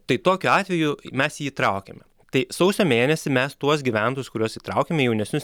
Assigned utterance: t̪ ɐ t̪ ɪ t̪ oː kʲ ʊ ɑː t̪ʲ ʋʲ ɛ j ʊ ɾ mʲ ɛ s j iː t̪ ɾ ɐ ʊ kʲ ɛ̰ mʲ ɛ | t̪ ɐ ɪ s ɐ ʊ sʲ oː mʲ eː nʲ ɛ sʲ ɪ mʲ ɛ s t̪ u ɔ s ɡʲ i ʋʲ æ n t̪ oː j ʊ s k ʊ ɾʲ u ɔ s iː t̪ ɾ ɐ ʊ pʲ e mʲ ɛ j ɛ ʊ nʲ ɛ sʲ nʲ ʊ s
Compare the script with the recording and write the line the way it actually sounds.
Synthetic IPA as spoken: t̪ ɐ ɪ t̪ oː kʲ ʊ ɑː t̪ʲ ʋʲ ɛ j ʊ mʲ ɛ s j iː t̪ ɾ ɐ ʊ kʲ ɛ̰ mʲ ɛ | t̪ ɐ ɪ s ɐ ʊ sʲ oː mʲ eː nʲ ɛ sʲ ɪ mʲ ɛ s t̪ u ɔ s ɡʲ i ʋʲ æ n t̪ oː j ʊ s k ʊ ɾʲ u ɔ s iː t̪ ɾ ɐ ʊ kʲ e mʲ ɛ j ɛ ʊ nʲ ɛ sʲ nʲ ʊ s